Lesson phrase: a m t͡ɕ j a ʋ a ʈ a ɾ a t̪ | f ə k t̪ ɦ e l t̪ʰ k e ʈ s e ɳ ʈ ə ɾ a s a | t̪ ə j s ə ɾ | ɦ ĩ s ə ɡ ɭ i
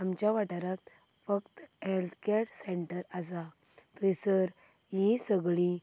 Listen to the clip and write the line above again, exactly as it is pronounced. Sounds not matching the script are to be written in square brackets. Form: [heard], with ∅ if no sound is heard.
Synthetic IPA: a m t͡ɕ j a ʋ a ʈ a ɾ a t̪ | f ə k t̪ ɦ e l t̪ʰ k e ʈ s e ɳ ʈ ə ɾ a s a | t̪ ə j s ə ɾ | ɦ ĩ s ə ɡ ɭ i